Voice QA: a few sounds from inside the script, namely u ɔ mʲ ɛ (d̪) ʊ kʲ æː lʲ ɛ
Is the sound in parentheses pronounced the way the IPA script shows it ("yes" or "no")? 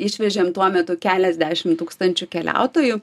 no